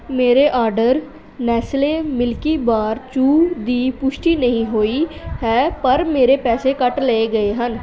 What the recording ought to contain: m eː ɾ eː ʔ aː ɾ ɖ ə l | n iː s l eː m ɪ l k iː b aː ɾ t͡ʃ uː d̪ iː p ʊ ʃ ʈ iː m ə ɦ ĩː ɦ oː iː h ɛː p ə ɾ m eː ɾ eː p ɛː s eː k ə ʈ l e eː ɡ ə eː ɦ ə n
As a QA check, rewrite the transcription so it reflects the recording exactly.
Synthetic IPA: m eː ɾ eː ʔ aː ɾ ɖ ə ɾ | n ɛː s l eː m ɪ l k iː b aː ɾ t͡ʃ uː d̪ iː p ʊ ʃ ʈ iː n ə ɦ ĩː ɦ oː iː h ɛː p ə ɾ m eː ɾ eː p ɛː s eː k ə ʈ l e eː ɡ ə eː ɦ ə n